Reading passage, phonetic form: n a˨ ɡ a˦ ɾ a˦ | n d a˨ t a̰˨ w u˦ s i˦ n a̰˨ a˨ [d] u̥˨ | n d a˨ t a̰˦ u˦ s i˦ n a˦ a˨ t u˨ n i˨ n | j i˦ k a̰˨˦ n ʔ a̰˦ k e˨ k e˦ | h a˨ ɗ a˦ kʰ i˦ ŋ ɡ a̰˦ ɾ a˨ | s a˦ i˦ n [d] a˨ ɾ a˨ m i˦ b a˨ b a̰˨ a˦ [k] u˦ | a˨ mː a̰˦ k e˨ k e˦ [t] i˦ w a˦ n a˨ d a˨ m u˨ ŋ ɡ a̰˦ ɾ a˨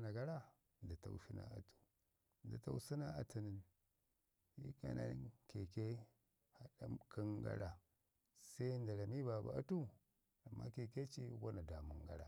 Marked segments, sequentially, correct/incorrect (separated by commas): incorrect, correct, incorrect, incorrect